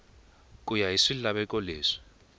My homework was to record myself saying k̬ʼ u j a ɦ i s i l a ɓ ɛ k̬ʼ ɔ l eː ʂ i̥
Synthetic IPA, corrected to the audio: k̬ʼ u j a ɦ i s i l a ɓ ɛ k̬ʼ ɔ l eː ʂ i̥

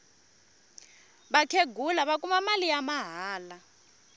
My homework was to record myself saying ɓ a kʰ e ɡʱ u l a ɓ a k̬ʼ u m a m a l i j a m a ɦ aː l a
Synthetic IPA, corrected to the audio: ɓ a kʰ e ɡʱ u l a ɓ a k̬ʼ u m a m a l i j a m a ɦ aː l a

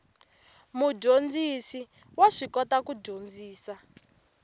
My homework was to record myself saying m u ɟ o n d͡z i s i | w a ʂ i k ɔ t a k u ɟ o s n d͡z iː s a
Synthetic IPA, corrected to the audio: m u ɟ o n d͡z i s i | w a ʂ i k ɔ t a k u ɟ o n d͡z iː s a

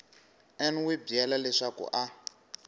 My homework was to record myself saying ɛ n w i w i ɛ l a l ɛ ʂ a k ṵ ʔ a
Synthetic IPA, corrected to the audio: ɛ n w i b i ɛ l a l ɛ ʂ a k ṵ ʔ a

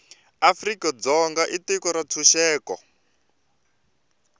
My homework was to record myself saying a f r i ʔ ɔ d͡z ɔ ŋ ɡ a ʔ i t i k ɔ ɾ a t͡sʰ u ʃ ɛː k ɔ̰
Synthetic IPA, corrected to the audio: a f r i k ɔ d͡z ɔ ŋ ɡ a ʔ i t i k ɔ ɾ a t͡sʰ u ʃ ɛː k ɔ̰

